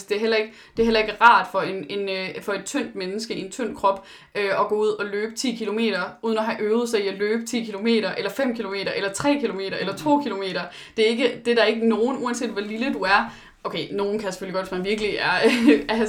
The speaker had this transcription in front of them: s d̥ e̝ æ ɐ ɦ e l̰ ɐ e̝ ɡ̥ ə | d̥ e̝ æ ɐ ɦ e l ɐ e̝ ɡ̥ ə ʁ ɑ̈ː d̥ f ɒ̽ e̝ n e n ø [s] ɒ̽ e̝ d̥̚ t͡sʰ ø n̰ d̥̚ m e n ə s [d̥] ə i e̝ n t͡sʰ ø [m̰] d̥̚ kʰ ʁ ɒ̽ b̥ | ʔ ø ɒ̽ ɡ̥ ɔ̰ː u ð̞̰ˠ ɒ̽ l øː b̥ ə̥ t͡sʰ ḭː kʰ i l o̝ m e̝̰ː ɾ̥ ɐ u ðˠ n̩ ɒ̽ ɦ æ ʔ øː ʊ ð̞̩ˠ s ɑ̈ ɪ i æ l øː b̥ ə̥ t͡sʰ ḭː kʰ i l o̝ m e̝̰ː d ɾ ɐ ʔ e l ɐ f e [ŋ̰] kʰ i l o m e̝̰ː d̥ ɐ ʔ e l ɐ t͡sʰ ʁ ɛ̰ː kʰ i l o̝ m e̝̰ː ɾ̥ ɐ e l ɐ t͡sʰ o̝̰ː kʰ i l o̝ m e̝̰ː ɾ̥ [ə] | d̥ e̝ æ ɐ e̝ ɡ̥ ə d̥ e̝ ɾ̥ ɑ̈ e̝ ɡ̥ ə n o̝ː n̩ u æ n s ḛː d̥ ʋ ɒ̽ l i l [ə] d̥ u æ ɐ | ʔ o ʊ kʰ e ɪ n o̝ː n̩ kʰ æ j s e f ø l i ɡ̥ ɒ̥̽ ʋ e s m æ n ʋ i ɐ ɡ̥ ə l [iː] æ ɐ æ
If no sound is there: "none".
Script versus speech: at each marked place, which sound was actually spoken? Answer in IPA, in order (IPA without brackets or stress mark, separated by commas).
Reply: f, ɡ̥, n̰, m̰, ɐ, ə, i